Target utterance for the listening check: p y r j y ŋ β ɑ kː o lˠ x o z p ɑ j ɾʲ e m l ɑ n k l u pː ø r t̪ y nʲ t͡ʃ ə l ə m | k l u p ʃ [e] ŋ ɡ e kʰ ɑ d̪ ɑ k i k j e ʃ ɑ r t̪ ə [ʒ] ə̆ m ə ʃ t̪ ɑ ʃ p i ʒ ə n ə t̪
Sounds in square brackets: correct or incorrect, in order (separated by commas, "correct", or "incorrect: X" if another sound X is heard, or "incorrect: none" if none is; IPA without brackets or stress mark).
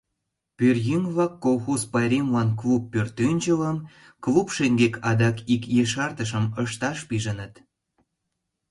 correct, incorrect: ʃ